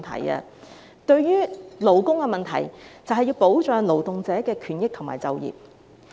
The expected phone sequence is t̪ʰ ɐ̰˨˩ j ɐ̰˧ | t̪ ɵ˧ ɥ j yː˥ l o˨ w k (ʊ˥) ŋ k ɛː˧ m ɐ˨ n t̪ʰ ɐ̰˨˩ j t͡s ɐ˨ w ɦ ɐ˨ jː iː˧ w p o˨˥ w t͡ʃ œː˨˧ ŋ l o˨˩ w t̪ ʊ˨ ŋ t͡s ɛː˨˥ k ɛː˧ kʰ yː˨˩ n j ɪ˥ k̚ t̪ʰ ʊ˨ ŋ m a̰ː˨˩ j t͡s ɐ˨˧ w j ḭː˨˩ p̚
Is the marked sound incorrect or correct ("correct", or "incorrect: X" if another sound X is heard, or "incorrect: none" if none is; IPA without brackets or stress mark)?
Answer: correct